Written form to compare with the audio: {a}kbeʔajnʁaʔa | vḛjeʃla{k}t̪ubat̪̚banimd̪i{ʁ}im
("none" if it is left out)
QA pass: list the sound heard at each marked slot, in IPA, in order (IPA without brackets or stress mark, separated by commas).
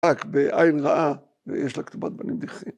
a, k, χ